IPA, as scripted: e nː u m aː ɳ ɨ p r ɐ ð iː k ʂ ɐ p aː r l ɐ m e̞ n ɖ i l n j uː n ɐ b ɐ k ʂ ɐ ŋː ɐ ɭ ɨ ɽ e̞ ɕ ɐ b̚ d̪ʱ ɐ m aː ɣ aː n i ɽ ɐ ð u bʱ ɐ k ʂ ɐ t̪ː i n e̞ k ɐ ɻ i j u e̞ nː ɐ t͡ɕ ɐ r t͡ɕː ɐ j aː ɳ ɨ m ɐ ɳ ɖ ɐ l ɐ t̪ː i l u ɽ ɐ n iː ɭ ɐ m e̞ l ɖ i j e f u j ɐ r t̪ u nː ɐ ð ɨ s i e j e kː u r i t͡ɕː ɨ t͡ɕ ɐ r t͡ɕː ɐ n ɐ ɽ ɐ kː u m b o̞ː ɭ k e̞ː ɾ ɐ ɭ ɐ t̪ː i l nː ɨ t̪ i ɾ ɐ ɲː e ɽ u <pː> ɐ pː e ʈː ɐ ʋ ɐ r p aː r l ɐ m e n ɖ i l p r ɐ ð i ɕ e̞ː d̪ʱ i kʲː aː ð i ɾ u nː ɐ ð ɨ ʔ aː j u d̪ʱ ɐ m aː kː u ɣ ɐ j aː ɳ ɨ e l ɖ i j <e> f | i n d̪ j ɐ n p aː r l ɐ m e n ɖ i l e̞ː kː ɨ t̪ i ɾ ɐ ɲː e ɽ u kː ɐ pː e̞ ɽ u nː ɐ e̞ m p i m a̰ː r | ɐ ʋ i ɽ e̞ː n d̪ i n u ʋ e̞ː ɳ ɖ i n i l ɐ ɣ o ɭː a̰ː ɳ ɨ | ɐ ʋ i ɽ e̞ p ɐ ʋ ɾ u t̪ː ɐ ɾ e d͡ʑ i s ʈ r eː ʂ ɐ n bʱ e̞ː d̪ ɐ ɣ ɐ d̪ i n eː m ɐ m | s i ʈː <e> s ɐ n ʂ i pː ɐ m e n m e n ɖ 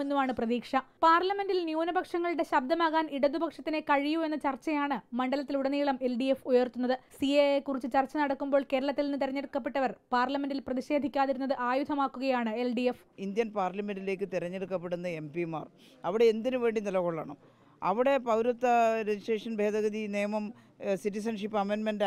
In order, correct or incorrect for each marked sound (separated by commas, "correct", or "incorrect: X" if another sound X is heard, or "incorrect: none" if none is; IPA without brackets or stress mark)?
incorrect: kː, correct, incorrect: i